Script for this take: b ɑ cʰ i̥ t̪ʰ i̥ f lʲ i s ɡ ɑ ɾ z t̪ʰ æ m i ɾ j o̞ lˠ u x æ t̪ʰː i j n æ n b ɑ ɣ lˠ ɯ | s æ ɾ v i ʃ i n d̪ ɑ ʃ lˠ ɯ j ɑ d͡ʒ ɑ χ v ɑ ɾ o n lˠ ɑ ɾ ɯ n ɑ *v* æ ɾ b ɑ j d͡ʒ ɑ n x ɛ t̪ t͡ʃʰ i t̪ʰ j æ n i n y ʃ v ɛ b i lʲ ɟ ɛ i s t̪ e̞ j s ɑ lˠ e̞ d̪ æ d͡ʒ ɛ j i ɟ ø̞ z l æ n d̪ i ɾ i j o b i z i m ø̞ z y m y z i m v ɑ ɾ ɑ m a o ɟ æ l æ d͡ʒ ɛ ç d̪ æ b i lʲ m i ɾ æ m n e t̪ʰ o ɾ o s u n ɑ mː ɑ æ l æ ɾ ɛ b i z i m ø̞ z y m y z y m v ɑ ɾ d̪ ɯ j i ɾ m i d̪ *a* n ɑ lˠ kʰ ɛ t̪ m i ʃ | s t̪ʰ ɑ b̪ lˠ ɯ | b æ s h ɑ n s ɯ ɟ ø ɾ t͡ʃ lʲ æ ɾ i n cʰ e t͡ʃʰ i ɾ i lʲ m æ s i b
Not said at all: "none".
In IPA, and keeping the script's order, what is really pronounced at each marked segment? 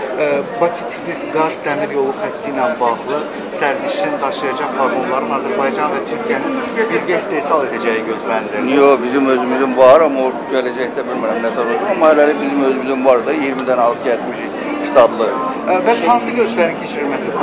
z, æ

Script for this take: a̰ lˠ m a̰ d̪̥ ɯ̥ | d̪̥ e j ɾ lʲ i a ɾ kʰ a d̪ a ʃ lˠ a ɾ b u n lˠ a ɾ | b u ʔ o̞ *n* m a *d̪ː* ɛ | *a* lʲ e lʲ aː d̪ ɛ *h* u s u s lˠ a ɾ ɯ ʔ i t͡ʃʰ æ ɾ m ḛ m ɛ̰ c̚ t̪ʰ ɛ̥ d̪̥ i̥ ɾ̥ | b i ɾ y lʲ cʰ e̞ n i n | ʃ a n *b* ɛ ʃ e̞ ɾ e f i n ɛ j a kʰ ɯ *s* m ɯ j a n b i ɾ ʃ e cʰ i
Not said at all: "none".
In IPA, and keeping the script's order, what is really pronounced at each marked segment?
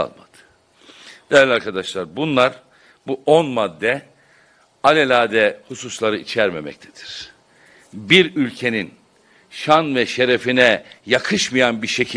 n, d̪ː, a, h, v, ʃ

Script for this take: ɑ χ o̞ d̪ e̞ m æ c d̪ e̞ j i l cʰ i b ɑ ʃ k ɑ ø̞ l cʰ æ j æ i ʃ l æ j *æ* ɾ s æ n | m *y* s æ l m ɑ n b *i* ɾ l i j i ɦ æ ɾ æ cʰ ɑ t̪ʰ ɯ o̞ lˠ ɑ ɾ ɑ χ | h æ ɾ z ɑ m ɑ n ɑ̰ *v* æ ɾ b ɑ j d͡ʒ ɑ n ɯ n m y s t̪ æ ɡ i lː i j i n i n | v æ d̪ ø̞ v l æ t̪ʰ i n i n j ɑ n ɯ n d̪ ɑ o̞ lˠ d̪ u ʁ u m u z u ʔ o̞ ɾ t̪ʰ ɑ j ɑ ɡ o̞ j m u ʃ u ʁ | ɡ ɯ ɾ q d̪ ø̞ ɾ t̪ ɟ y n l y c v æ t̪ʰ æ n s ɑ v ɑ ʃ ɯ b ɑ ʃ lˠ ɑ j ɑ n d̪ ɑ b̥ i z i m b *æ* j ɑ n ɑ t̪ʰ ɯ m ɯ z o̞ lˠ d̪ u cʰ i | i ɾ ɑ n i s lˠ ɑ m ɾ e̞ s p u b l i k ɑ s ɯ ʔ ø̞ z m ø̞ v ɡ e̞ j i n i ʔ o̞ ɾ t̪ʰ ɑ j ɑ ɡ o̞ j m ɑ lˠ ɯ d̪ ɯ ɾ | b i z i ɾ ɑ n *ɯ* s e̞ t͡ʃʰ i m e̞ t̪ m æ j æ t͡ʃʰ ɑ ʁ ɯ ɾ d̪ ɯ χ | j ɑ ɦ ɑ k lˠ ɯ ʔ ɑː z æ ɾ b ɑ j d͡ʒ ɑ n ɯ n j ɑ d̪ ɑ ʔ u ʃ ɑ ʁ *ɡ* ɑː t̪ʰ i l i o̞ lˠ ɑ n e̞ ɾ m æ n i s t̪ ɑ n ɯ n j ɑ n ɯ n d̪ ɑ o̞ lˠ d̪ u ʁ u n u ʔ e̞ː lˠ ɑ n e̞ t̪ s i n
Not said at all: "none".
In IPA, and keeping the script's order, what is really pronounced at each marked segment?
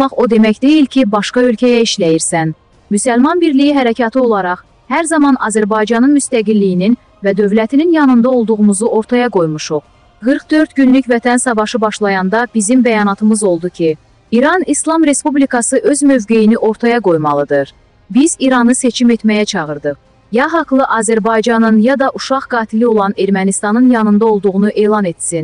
i, y, i, z, æ, ɯ, ɡ

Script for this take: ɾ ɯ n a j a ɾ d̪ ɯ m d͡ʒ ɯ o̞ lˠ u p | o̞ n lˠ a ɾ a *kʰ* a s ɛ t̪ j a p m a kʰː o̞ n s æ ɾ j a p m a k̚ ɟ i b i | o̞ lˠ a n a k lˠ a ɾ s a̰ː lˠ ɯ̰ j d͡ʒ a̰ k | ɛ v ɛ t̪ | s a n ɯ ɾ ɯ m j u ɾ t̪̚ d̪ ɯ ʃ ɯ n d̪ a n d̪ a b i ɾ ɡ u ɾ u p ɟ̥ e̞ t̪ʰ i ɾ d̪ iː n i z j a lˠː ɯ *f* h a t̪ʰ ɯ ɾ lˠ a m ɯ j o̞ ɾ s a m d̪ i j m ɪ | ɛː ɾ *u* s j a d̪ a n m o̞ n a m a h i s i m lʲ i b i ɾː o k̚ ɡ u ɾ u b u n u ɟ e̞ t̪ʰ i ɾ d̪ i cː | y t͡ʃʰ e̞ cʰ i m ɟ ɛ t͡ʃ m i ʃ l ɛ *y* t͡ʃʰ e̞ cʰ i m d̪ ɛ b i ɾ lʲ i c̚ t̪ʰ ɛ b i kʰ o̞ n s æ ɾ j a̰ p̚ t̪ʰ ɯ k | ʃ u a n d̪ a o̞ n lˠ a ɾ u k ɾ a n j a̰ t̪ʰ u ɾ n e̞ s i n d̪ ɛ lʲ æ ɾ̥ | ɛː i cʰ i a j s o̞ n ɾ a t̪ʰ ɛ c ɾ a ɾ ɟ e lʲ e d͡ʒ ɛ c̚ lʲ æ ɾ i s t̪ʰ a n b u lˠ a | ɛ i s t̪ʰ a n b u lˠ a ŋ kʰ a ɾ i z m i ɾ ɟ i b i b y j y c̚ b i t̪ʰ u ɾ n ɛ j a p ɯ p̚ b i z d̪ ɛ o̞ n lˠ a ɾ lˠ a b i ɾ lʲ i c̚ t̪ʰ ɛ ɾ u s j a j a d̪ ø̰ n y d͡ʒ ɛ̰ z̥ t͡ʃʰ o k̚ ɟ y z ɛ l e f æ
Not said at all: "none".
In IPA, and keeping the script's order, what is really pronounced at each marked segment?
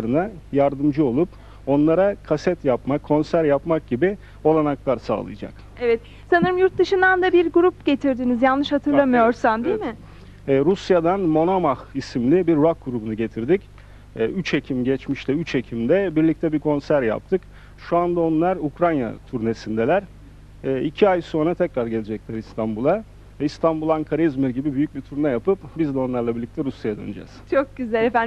kʰ, ʃ, u, y

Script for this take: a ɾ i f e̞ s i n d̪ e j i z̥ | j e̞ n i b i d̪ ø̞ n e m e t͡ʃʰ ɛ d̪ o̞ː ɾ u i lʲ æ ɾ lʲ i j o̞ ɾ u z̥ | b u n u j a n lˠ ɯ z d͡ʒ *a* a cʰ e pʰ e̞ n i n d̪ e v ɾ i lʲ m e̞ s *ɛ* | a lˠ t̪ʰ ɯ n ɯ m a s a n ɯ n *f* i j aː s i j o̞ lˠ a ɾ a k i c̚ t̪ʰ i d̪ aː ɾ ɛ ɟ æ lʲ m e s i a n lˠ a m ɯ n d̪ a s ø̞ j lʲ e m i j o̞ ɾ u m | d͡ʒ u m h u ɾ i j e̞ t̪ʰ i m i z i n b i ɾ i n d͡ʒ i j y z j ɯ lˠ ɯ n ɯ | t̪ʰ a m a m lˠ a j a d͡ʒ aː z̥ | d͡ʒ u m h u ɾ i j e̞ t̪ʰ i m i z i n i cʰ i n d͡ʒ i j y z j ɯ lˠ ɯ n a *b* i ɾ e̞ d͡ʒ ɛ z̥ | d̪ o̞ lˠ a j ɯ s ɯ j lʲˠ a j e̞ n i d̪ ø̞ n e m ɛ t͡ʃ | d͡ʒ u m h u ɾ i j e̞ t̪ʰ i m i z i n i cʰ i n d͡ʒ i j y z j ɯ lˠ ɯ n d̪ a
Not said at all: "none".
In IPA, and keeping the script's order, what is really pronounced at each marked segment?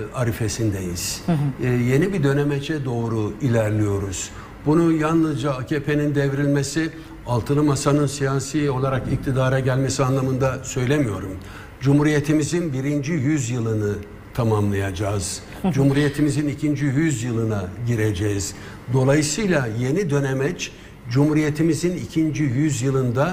a, i, s, ɟ

